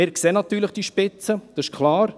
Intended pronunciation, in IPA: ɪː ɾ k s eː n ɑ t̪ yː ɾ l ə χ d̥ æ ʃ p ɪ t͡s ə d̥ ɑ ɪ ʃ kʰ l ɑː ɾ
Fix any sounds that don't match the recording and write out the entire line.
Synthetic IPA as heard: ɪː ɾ k s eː n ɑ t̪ yː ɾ l ə χ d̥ i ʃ p ɪ t͡s ə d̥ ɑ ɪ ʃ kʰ l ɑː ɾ